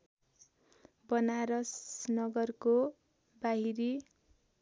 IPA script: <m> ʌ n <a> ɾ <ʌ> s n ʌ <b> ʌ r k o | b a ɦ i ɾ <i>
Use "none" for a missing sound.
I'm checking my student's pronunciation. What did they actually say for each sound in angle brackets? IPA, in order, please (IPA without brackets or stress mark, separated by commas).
b, a, ʌ, ɡ, i